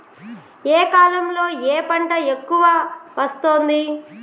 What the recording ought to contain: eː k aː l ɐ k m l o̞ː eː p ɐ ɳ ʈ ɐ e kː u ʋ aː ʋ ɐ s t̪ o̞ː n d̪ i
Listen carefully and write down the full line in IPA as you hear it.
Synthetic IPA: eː k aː l ɐ m l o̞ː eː p ɐ ɳ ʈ ɐ e kː u ʋ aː ʋ ɐ s t̪ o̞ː n d̪ i